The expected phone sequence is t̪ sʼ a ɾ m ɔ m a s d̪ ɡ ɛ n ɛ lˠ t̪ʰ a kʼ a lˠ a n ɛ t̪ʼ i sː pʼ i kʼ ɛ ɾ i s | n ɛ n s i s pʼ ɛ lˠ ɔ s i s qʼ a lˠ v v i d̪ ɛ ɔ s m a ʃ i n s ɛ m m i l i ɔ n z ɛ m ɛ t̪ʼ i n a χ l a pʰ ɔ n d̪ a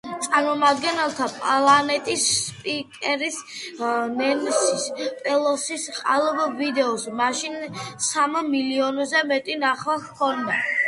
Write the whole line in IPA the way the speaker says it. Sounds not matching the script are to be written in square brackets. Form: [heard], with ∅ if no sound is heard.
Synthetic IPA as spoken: t̪ sʼ a ɾ m ɔ m a [∅] d̪ ɡ ɛ n ɛ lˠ t̪ʰ a [pʼ] a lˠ a n ɛ t̪ʼ i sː pʼ i kʼ ɛ ɾ i s | n ɛ n s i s pʼ ɛ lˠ ɔ s i s qʼ a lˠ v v i d̪ ɛ ɔ s m a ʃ i n s [a] m m i l i ɔ n z ɛ m ɛ t̪ʼ i n a χ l a [kʰ] ɔ n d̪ a